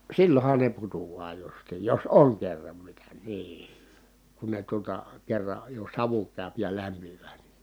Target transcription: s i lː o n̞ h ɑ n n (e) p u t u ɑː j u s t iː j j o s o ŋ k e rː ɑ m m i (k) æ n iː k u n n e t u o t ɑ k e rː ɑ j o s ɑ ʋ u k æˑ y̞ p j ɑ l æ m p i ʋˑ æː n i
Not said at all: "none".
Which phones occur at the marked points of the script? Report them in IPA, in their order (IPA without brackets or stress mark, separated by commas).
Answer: e, t